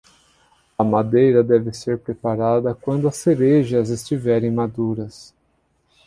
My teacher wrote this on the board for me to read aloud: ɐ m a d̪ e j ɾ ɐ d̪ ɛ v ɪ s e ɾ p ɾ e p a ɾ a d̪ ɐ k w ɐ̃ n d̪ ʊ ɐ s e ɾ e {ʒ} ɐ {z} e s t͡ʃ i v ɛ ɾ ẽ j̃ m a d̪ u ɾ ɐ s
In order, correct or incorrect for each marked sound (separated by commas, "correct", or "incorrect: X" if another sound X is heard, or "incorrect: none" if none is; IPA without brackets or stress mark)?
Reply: correct, correct